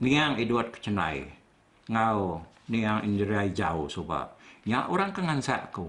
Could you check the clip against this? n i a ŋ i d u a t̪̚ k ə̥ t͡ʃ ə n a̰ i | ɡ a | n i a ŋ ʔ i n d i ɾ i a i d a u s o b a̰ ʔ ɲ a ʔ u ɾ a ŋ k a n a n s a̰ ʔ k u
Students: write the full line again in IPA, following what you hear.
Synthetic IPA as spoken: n i a ŋ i d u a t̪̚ k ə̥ t͡ʃ ə n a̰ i | ŋ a | n i a ŋ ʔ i n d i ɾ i a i d͡ʒ a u s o b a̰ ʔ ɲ a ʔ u ɾ a ŋ k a ŋ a n s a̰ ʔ k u